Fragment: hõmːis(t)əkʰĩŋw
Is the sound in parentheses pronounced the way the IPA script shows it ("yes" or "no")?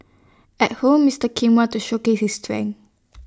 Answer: yes